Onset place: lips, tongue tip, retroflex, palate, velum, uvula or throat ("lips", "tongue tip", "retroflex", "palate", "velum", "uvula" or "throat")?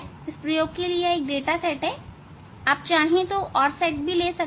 tongue tip